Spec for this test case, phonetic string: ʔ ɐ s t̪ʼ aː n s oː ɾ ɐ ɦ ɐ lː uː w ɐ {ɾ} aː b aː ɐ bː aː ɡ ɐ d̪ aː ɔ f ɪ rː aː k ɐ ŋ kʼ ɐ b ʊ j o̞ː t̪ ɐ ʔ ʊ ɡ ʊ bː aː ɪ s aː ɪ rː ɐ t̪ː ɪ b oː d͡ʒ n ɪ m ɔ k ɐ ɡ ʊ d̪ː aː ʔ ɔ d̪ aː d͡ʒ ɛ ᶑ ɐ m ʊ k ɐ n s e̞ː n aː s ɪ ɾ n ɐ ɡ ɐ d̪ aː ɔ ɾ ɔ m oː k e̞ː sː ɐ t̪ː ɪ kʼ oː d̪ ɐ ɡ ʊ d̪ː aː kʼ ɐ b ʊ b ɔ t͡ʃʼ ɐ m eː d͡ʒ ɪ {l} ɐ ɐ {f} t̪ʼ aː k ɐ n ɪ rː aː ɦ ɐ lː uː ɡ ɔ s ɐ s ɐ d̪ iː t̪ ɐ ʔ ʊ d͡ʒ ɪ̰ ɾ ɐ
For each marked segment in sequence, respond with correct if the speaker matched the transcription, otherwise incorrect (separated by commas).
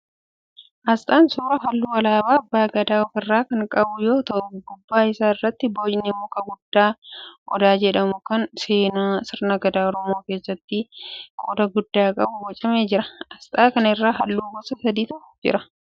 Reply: incorrect, incorrect, incorrect